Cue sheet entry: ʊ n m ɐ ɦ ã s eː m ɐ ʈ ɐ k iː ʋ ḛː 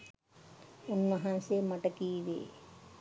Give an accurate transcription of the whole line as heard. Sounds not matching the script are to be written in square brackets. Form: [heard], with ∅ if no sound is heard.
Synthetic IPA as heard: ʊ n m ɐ ɦ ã s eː m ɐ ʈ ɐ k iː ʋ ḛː